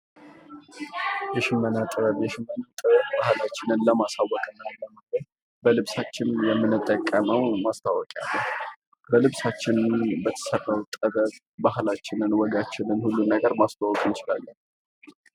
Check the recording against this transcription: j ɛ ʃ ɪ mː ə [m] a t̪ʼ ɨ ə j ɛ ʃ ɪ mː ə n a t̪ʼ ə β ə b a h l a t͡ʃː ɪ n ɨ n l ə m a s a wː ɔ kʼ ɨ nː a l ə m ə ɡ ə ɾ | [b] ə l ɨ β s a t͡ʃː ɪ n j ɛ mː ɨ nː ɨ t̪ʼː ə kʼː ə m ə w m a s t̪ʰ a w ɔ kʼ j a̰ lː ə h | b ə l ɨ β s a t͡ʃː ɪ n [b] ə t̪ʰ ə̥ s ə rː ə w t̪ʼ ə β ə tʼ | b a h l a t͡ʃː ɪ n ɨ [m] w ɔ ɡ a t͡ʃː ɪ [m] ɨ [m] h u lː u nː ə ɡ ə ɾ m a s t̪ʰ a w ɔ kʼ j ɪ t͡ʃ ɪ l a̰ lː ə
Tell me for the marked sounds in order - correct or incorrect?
incorrect: n, correct, correct, incorrect: n, incorrect: n, incorrect: n

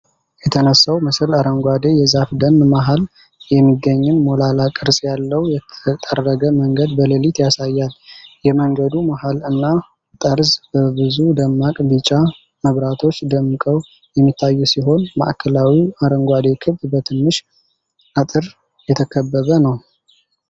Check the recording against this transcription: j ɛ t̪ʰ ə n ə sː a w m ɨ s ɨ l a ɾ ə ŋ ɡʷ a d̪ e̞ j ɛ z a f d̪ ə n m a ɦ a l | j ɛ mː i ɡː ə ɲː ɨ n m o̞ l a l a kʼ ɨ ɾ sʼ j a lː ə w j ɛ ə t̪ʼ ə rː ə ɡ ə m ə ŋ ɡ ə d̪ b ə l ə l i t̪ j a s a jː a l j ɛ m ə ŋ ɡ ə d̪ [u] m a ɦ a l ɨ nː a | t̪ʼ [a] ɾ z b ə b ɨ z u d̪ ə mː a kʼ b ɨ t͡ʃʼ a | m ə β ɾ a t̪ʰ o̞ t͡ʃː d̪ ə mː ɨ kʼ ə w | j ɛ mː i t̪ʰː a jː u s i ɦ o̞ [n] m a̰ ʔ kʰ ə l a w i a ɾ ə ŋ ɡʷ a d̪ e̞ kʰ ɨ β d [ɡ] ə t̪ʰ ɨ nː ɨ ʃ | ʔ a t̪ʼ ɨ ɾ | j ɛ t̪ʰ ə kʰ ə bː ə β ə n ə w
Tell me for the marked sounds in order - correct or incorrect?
correct, incorrect: ə, correct, incorrect: b

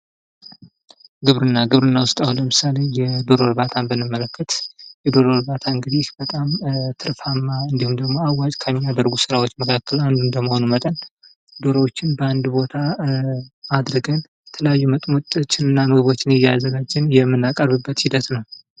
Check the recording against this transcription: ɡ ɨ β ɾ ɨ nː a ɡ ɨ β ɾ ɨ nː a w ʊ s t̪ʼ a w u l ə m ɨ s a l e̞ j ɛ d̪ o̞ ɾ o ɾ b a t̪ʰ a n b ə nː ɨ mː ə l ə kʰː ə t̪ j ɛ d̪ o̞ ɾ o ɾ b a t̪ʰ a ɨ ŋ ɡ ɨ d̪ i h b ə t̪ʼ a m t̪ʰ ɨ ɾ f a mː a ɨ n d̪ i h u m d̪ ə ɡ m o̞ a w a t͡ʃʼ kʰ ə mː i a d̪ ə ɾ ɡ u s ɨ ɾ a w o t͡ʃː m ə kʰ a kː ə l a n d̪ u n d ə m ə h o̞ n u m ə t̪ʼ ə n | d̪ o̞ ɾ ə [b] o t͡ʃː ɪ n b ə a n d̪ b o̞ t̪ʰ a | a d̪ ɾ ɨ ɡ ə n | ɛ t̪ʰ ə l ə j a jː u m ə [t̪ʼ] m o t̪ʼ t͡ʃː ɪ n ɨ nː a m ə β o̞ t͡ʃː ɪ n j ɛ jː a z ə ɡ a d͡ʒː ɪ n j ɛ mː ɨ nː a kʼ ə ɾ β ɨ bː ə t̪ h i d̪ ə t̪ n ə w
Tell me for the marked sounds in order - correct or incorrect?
incorrect: w, correct

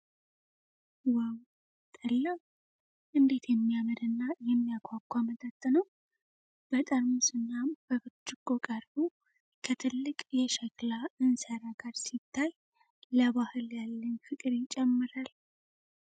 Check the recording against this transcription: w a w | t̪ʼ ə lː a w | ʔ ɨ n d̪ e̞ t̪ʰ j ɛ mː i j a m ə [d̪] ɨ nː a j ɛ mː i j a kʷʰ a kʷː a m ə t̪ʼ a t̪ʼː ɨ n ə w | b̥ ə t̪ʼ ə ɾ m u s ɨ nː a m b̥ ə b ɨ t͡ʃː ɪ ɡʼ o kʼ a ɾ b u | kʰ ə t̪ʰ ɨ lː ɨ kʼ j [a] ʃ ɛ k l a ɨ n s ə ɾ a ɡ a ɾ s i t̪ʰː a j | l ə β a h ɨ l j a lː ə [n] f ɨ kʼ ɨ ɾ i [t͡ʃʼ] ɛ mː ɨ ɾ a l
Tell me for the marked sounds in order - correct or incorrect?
correct, incorrect: ɛ, correct, correct

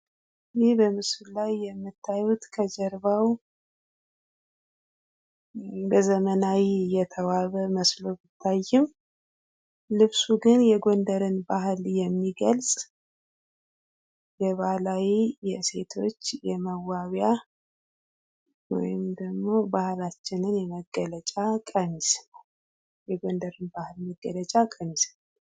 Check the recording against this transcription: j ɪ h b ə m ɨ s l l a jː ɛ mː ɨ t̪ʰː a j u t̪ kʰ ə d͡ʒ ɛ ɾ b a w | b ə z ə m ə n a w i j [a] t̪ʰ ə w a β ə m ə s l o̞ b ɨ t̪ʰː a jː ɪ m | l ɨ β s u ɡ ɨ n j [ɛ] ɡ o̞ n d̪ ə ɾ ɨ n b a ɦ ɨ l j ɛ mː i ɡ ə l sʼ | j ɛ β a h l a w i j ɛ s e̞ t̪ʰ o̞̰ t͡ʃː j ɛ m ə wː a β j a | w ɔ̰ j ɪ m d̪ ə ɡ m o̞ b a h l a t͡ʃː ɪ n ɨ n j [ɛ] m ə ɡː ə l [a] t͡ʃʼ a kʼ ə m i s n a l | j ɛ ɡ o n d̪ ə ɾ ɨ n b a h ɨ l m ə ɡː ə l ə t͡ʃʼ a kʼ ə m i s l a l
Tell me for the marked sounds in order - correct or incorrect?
incorrect: ɛ, correct, correct, incorrect: ə

